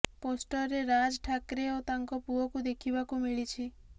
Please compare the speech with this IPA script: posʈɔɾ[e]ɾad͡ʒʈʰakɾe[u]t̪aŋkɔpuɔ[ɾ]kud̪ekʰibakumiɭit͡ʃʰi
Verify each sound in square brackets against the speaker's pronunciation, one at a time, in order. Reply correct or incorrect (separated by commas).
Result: correct, incorrect, incorrect